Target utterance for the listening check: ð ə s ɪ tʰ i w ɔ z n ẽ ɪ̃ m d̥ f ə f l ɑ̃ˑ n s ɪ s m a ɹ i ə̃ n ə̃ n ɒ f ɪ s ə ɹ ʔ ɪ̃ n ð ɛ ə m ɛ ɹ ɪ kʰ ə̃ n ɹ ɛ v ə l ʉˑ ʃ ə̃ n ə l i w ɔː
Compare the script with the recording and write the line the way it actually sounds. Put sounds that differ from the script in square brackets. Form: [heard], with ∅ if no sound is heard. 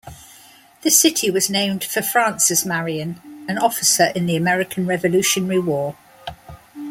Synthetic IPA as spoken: ð ə s ɪ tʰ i w [ɒ] z n ẽ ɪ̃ m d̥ f ə f [ɹ] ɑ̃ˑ n s ɪ s m a ɹ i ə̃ n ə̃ n ɒ f ɪ s ə ɹ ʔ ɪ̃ n ð [i] ə m ɛ ɹ ɪ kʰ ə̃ n ɹ ɛ v ə l ʉˑ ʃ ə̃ n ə [ɹ] i w ɔː

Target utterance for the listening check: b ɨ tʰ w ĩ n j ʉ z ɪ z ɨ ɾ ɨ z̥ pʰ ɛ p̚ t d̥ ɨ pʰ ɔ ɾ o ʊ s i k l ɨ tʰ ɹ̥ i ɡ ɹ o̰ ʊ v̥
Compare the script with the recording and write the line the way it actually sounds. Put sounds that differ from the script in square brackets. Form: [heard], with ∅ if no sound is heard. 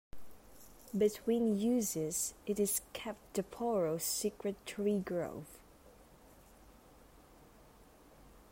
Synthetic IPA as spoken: b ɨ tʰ w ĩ n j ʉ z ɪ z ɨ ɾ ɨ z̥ [kʰ] ɛ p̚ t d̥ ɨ pʰ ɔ [ɹ] o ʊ s i k [ɹ] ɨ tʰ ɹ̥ i ɡ ɹ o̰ ʊ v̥

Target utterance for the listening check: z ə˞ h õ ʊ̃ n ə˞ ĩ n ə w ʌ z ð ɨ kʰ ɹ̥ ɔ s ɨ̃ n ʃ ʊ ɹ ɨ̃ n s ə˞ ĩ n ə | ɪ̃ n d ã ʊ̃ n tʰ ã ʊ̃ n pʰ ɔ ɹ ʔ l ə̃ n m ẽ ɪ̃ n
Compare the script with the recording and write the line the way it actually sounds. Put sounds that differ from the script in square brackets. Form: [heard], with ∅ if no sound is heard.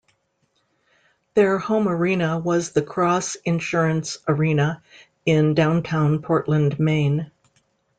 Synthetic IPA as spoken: [ð] ə˞ h õ ʊ̃ [m] ə˞ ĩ n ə w ʌ z ð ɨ kʰ ɹ̥ ɔ s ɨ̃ n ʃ ʊ ɹ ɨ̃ n s ə˞ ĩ n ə | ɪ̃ n d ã ʊ̃ n tʰ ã ʊ̃ n pʰ ɔ ɹ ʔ l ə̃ n m ẽ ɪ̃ n

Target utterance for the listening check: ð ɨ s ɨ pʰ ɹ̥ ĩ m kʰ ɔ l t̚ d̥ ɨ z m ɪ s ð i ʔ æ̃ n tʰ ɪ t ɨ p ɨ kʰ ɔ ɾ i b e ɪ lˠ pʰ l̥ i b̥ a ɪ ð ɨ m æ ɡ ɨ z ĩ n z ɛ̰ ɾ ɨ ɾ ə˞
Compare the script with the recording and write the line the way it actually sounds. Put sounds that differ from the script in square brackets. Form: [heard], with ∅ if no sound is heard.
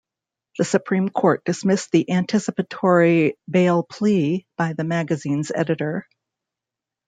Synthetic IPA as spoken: ð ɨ s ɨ pʰ ɹ̥ ĩ m kʰ ɔ [ɹ] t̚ d̥ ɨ [s] m ɪ s ð i ʔ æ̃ n tʰ ɪ [s] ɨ p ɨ [tʰ] ɔ [ɹ] i b e ɪ lˠ pʰ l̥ i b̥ a ɪ ð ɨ m æ ɡ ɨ z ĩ n z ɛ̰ ɾ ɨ ɾ ə˞

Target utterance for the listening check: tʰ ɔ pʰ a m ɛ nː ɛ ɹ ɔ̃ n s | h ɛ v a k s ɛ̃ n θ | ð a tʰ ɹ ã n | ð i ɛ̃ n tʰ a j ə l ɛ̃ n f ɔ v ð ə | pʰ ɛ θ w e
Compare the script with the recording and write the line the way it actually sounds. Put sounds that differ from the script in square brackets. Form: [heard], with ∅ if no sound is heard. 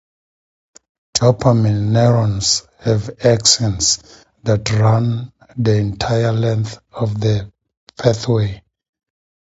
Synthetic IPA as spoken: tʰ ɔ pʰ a m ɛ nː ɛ ɹ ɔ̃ n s | h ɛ v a k s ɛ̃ n [s] | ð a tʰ ɹ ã n | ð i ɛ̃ n tʰ a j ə l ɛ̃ n [θ] ɔ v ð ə | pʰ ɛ θ w e

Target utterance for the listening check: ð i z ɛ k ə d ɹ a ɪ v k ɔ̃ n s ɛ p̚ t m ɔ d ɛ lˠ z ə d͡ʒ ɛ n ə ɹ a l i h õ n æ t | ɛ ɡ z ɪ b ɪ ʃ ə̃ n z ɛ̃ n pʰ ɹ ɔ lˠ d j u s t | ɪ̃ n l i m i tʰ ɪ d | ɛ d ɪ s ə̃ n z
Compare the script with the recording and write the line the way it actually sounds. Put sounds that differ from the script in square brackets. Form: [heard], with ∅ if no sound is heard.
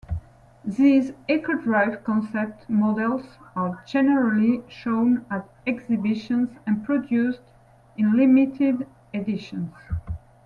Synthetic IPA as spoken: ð i z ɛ k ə d ɹ a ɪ v k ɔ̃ n s ɛ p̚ t m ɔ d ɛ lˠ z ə d͡ʒ ɛ n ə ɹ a l i [ʃ] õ n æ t | ɛ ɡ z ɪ b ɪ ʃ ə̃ n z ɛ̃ n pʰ ɹ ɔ [∅] d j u s t | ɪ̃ n l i m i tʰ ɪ d | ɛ d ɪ [ʃ] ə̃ n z

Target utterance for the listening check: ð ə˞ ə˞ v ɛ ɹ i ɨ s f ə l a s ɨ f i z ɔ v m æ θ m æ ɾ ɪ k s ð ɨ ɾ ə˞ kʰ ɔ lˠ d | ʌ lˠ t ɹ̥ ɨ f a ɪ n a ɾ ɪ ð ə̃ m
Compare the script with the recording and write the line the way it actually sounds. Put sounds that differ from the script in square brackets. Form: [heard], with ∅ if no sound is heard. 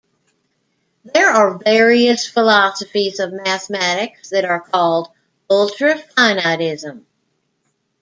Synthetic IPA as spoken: ð ə˞ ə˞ v ɛ ɹ i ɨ s f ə l [ɑ] s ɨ f i z [ʌ] v m æ θ m æ ɾ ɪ k s ð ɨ ɾ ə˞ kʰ ɔ lˠ d | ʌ lˠ t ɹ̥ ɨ f a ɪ n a ɾ ɪ [z] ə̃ m

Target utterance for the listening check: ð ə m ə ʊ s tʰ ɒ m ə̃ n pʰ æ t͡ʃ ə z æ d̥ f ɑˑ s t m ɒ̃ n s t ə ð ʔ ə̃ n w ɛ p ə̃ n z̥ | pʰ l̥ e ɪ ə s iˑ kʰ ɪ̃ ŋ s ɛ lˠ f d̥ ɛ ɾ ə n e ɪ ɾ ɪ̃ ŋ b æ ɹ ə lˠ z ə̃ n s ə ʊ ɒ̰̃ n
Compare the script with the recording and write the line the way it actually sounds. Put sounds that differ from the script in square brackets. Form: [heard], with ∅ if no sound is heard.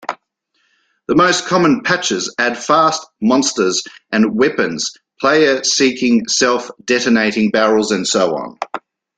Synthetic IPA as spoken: ð ə m ə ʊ s [kʰ] ɒ m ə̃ n pʰ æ t͡ʃ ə z æ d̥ f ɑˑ s t m ɒ̃ n s t ə [z] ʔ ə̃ n w ɛ p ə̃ n z̥ | pʰ l̥ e ɪ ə s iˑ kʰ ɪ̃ ŋ s ɛ lˠ f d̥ ɛ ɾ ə n e ɪ ɾ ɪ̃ ŋ b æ ɹ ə lˠ z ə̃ n s ə ʊ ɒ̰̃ n

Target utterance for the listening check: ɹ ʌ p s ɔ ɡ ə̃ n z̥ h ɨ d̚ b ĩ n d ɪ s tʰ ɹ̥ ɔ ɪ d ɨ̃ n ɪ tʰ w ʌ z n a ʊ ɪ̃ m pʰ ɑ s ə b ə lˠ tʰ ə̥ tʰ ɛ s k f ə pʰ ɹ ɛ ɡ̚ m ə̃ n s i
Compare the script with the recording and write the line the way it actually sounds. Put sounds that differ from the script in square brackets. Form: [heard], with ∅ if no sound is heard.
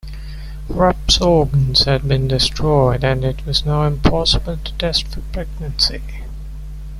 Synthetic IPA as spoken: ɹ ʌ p s ɔ ɡ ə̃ n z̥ h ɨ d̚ b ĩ n d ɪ s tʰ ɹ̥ ɔ ɪ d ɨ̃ n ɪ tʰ w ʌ z n a ʊ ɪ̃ m pʰ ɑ s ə b ə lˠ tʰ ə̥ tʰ ɛ s [t] f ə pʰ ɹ ɛ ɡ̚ [n] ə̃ n s i

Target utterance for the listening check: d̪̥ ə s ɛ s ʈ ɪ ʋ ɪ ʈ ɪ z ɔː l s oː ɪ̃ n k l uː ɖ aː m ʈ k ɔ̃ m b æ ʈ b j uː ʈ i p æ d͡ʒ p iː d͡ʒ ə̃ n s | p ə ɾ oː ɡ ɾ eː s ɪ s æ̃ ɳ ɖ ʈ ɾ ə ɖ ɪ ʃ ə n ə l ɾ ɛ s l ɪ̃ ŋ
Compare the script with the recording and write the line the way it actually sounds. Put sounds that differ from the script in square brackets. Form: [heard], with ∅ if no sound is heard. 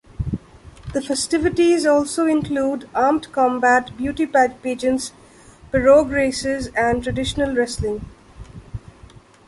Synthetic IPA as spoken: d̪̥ ə [f] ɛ s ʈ ɪ ʋ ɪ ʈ [i] z ɔː l s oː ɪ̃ n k l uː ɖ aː m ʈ k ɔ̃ m b æ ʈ b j uː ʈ i p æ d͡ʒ p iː d͡ʒ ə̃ n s | p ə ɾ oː ɡ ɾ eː s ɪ [z] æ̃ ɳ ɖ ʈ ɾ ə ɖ ɪ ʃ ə n ə l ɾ ɛ s l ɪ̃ ŋ

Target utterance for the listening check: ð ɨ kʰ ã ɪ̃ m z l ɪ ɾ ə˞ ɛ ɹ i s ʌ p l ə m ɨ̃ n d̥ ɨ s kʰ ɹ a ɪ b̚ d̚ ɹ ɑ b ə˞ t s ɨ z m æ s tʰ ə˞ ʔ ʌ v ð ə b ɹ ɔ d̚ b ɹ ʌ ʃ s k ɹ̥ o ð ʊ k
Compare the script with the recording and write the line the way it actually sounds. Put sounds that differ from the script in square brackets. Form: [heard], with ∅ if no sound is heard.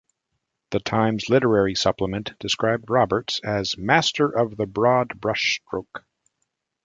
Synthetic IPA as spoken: ð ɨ [tʰ] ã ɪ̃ m z l ɪ ɾ ə˞ ɛ ɹ i s ʌ p l ə m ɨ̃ n d̥ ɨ s [k] ɹ a ɪ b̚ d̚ ɹ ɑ b ə˞ t s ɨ z m æ s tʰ ə˞ ʔ ʌ v ð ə b ɹ ɔ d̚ b ɹ ʌ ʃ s [t] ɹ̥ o [∅] ʊ k

